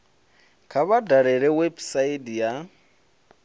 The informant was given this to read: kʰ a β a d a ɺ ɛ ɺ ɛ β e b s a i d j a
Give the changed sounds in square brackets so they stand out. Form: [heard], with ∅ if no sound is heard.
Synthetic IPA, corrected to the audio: kʰ a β a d a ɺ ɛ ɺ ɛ [w] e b s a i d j a